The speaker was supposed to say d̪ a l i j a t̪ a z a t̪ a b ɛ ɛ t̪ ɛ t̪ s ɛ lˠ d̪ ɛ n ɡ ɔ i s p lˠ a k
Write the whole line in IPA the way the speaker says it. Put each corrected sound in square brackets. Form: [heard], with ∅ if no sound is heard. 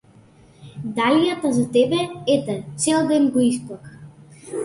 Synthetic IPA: d̪ a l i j a t̪ a z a t̪ [ɛ] b ɛ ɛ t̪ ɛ t̪ s ɛ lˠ d̪ ɛ n ɡ ɔ i s p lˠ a k